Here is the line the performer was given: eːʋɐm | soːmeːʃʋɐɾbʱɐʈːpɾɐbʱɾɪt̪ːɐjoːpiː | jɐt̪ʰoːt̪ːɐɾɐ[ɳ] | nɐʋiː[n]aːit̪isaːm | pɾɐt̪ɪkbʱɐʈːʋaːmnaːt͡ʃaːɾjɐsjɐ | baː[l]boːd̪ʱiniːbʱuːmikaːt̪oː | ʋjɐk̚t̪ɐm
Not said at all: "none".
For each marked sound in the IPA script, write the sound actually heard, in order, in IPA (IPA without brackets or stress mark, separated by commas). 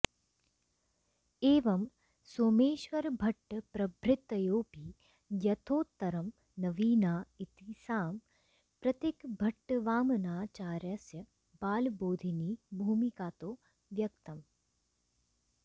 m, n, l